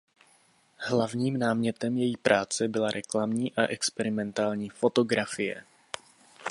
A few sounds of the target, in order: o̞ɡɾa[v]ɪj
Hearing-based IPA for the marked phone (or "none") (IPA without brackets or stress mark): f